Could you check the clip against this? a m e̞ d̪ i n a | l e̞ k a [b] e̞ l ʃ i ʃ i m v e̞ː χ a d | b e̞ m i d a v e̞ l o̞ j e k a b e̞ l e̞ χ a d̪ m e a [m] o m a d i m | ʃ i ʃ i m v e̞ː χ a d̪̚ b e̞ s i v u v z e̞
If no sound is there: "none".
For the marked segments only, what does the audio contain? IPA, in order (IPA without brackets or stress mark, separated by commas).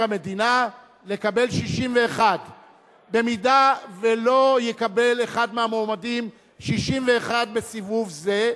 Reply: b, m